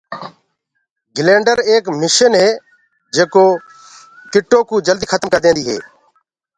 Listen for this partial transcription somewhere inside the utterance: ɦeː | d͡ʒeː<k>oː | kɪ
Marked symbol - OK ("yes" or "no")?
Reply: yes